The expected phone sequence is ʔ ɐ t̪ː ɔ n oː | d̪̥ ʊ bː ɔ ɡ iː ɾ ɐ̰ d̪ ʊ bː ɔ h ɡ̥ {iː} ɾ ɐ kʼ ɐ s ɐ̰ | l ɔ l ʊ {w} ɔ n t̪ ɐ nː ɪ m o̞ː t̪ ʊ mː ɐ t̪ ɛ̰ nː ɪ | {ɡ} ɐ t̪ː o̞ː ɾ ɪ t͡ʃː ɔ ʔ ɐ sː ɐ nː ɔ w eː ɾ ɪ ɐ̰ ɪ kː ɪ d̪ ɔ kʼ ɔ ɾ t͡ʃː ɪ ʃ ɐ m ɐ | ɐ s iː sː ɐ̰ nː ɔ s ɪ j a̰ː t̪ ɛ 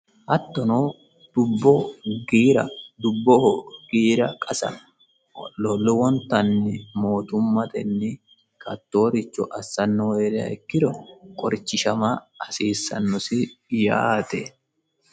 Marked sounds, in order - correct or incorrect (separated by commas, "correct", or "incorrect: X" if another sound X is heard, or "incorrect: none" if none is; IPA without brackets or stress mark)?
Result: correct, correct, incorrect: k